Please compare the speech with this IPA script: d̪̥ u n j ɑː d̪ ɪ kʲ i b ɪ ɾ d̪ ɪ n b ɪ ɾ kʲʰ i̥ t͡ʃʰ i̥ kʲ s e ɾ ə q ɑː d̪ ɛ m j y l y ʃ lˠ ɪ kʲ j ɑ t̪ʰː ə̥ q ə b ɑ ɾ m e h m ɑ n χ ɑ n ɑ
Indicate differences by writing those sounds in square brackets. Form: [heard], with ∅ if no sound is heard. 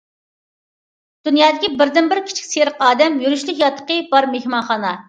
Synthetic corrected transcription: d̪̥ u n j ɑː d̪ ɪ kʲ i b ɪ ɾ d̪ ɪ n b ɪ ɾ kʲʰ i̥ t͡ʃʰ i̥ kʲ s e ɾ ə q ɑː d̪ ɛ m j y [ɾ] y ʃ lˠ ɪ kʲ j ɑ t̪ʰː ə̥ q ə b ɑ ɾ m e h m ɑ n χ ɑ n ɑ

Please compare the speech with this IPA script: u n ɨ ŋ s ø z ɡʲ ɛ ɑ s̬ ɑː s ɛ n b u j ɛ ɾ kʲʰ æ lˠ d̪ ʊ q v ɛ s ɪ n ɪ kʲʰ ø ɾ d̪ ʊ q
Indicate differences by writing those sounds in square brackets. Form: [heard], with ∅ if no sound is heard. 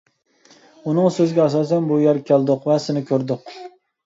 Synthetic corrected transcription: u n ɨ ŋ s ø z ɡʲ ɛ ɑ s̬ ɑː s ɛ n b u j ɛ ɾ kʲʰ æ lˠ d̪ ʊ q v ɛ s ɪ n ɪ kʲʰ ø ɾ d̪ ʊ q

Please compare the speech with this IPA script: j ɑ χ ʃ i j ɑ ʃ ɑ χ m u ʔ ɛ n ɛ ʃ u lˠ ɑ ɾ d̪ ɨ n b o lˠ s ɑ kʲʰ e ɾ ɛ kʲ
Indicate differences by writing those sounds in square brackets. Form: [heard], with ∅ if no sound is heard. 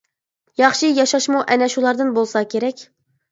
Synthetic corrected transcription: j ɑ χ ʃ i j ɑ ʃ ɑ [ʃ] m u ʔ ɛ n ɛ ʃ u lˠ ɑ ɾ d̪ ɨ n b o lˠ s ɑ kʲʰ e ɾ ɛ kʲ

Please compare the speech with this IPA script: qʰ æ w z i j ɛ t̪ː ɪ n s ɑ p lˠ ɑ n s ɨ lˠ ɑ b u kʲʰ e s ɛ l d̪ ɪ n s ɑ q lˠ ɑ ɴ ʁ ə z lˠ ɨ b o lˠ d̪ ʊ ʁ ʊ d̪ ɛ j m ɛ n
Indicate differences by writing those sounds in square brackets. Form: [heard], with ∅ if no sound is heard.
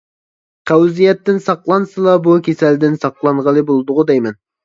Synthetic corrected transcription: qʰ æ w z i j ɛ t̪ː ɪ n s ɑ [q] lˠ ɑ n s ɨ lˠ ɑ b u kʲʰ e s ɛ l d̪ ɪ n s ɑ q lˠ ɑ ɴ ʁ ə [∅] lˠ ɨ b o lˠ d̪ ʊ ʁ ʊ d̪ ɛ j m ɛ n

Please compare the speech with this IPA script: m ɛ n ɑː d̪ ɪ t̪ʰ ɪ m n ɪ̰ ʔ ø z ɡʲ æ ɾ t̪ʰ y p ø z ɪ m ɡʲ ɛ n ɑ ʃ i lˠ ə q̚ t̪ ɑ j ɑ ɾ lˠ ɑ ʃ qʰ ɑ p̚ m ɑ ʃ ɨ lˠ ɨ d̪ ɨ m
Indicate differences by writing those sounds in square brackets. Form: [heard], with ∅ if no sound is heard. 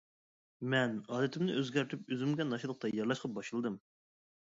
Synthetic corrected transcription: m ɛ n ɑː d̪ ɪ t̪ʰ ɪ m n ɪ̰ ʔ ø z ɡʲ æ ɾ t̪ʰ y p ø z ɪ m ɡʲ ɛ n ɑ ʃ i lˠ ə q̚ t̪ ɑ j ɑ ɾ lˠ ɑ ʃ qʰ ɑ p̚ [b] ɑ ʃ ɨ lˠ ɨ d̪ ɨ m

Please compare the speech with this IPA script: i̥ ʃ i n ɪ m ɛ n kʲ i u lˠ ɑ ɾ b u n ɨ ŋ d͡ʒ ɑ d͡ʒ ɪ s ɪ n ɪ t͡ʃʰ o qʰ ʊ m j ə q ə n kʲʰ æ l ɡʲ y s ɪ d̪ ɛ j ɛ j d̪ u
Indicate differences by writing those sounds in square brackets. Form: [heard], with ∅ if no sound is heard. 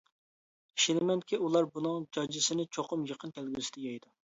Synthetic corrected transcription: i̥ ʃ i n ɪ m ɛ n kʲ i u lˠ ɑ ɾ b u n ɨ ŋ d͡ʒ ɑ d͡ʒ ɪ s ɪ n ɪ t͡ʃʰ o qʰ ʊ m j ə q ə n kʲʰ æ l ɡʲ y s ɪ d̪ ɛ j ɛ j d̪ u

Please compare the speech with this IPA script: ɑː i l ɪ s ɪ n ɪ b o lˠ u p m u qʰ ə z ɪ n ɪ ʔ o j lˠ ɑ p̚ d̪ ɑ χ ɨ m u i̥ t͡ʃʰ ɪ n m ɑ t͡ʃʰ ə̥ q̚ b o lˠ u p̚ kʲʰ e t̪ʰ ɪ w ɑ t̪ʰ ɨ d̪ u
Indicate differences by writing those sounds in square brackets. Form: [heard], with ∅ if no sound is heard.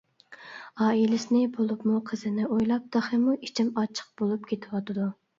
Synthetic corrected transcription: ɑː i l ɪ s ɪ n ɪ b o lˠ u p m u qʰ ə z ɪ n ɪ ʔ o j lˠ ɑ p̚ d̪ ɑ χ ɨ m u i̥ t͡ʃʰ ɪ [∅] m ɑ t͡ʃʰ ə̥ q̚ b o lˠ u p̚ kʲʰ e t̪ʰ ɪ w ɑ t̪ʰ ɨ d̪ u

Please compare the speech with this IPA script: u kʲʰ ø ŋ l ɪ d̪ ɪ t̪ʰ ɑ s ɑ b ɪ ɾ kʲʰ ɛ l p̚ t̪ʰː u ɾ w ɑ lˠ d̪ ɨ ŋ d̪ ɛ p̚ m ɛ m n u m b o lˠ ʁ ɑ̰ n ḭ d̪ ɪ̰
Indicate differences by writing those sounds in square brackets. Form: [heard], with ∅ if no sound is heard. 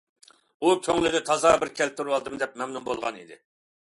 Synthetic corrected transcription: u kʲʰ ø ŋ l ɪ d̪ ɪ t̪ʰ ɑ [z] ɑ b ɪ ɾ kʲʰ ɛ l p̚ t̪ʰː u ɾ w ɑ lˠ d̪ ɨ [m] d̪ ɛ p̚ m ɛ m n u m b o lˠ ʁ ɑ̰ n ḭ d̪ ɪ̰

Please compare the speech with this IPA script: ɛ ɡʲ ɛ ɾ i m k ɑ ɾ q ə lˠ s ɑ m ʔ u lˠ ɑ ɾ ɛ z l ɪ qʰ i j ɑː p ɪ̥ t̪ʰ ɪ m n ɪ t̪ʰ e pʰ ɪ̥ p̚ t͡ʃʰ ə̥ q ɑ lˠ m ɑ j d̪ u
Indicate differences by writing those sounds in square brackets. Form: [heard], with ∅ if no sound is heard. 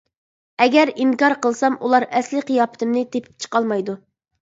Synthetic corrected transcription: ɛ ɡʲ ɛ ɾ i [ŋ] k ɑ ɾ q ə lˠ s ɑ m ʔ u lˠ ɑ ɾ ɛ [s] l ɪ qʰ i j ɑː p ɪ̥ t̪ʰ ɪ m n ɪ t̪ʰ e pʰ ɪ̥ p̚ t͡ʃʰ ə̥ q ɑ lˠ m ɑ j d̪ u

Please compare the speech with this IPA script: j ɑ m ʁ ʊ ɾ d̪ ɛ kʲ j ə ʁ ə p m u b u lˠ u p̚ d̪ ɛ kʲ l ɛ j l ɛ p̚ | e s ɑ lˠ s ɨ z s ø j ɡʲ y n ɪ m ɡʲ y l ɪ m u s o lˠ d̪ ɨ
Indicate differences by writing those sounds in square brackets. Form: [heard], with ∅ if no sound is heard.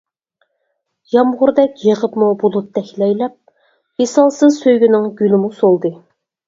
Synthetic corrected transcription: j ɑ m ʁ ʊ ɾ d̪ ɛ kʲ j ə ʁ ə p m u b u lˠ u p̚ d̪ ɛ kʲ l ɛ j l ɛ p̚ | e s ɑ lˠ s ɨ z s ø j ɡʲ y n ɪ [ŋ] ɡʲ y l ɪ m u s o lˠ d̪ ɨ

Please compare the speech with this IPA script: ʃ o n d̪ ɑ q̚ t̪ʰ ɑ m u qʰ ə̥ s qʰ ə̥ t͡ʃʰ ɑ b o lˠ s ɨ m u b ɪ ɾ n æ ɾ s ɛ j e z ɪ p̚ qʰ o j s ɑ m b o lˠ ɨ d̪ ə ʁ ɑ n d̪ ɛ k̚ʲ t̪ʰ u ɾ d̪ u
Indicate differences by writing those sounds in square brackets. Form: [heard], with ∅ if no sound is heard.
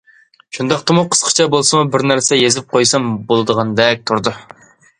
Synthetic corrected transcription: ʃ [u] n d̪ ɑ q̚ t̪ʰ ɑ m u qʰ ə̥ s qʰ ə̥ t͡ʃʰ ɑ b o lˠ s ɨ m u b ɪ ɾ n æ ɾ s ɛ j e z ɪ p̚ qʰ o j s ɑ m b o lˠ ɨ d̪ ə ʁ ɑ n d̪ ɛ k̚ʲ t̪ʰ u ɾ d̪ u

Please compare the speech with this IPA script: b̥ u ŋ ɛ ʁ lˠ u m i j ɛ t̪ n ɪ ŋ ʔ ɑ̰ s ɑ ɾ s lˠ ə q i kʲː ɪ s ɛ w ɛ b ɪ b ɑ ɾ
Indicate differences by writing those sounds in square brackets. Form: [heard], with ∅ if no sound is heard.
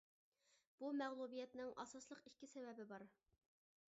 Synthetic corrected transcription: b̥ u [m] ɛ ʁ lˠ u [b] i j ɛ t̪ n ɪ ŋ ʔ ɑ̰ s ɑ [∅] s lˠ ə q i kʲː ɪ s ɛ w ɛ b ɪ b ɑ ɾ

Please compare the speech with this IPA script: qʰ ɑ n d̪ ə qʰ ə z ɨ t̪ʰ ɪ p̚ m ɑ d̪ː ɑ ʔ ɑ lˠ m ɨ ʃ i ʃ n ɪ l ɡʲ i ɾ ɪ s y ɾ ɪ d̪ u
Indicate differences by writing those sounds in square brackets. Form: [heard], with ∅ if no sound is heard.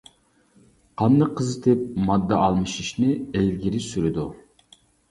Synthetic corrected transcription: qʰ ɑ n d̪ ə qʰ ə z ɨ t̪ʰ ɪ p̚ m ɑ d̪ː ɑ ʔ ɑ lˠ m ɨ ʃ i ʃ n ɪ l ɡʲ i ɾ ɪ s y ɾ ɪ d̪ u

